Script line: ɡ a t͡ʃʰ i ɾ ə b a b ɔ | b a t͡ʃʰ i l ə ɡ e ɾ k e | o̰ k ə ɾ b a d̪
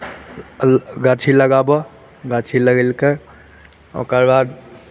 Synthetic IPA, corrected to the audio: ɡ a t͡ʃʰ i l ə ɡ a b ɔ | ɡ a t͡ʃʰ i l ə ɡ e l k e | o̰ k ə ɾ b a d̪